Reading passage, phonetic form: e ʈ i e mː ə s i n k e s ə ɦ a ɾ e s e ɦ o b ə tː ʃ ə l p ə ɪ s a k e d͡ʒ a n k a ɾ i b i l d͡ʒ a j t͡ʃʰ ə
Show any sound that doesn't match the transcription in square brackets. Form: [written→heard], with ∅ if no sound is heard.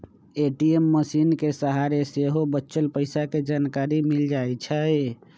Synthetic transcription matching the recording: e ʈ i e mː ə s i n k e s ə ɦ a ɾ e s e ɦ o b ə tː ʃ ə l p ə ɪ s a k e d͡ʒ a n k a ɾ i [b→m] i l d͡ʒ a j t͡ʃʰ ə

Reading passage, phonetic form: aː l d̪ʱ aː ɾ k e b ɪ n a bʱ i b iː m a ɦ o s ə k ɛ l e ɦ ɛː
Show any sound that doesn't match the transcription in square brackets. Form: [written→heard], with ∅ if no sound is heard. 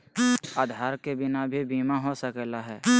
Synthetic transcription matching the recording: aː [l→∅] d̪ʱ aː ɾ k e b ɪ n a bʱ i b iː m a ɦ o s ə k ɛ l [e→a] ɦ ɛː

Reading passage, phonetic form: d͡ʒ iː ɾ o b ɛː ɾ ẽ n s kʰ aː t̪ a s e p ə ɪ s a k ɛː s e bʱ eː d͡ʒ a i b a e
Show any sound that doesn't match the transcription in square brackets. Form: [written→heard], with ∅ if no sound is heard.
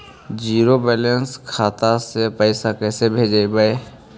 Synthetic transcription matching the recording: d͡ʒ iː ɾ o b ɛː [ɾ→l] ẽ n s kʰ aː t̪ a s e p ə ɪ s a k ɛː s e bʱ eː d͡ʒ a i b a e

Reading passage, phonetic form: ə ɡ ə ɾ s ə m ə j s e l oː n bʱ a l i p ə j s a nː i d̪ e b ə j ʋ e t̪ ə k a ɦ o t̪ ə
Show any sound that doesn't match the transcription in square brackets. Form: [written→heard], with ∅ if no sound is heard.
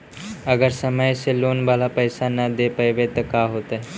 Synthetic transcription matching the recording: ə ɡ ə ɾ s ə m ə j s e l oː n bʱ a l [i→a] p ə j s a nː [i→a] d̪ e [b→p] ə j ʋ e t̪ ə k a ɦ o t̪ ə

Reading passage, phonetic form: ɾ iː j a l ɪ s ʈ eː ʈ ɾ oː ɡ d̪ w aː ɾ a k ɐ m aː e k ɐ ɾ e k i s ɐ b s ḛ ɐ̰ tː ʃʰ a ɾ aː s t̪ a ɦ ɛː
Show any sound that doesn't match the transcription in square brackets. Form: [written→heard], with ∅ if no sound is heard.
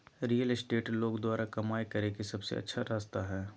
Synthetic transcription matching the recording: ɾ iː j [a→ə] l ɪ s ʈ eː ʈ [ɾ→l] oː ɡ d̪ w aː ɾ a k ɐ m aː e k ɐ ɾ e k i s ɐ b s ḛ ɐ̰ tː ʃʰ a ɾ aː s t̪ a ɦ ɛː

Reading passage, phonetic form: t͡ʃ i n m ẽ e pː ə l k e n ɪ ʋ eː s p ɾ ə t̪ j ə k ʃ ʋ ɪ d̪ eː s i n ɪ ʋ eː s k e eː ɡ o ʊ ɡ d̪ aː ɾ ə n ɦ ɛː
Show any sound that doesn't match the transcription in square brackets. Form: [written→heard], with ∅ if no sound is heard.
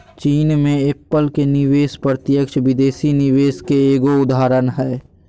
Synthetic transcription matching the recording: t͡ʃ [i→iː] n m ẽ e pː ə l k e n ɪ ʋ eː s p ɾ ə t̪ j ə k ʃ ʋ ɪ d̪ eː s i n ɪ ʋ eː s k e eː ɡ o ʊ [ɡ→∅] d̪ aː ɾ ə n ɦ ɛː

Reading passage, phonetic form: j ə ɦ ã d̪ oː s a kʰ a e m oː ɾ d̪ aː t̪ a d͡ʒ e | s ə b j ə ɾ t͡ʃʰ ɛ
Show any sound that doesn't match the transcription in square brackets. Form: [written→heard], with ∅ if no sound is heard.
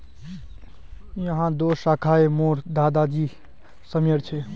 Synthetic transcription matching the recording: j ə ɦ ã d̪ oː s a kʰ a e m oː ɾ d̪ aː [t̪→d̪] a d͡ʒ [e→i] | s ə [b→m] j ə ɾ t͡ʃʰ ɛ

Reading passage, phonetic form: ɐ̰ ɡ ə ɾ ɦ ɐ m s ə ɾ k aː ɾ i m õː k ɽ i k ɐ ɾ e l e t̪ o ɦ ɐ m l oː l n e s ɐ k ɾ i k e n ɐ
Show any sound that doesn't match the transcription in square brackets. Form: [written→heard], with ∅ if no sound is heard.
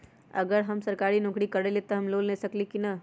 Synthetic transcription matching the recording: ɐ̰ ɡ ə ɾ ɦ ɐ m s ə ɾ k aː ɾ i [m→n] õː k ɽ i k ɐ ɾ e l e t̪ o ɦ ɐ m l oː l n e s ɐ k [ɾ→l] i k [e→i] n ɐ

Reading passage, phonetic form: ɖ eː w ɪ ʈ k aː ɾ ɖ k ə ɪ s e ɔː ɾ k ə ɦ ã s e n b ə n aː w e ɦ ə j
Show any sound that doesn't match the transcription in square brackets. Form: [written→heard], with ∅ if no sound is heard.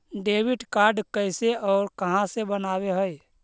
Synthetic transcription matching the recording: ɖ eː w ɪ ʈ k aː ɾ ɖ k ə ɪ s e ɔː ɾ k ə ɦ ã s e [n→∅] b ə n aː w e ɦ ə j

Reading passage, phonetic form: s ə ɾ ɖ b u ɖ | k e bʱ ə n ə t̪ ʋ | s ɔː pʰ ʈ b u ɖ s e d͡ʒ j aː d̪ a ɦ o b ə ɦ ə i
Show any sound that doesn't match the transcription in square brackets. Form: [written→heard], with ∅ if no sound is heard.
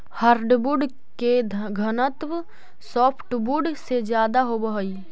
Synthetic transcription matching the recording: [s→h] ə ɾ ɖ b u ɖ | k e [bʱ→ɡʱ] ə n ə t̪ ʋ | s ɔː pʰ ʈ b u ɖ s e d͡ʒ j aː d̪ a ɦ o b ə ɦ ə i

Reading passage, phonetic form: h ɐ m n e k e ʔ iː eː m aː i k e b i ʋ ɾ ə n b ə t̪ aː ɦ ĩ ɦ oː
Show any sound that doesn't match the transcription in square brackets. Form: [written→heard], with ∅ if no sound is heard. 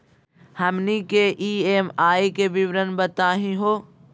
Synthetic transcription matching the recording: h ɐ m n [e→i] k e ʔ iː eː m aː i k e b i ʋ ɾ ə n b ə t̪ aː ɦ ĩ ɦ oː

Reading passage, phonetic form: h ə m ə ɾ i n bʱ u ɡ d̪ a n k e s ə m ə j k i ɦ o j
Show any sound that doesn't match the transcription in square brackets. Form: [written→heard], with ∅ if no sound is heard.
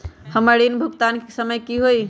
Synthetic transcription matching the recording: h ə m ə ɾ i n bʱ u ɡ [d̪→t̪] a n k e s ə m ə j k i ɦ o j

